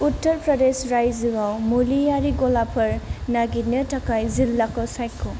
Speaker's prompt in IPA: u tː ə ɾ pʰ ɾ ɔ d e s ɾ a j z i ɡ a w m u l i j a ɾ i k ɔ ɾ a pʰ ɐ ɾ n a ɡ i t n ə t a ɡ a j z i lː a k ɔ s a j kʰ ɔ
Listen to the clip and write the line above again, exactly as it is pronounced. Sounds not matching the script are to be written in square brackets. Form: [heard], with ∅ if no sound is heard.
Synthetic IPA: u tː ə ɾ [p] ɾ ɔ d e s ɾ a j z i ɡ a w m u l i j a ɾ i [ɡ] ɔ [l] a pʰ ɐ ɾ n a ɡ i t n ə t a [k] a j z i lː a k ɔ s a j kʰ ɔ